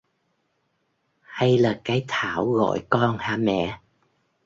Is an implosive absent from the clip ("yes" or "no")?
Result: yes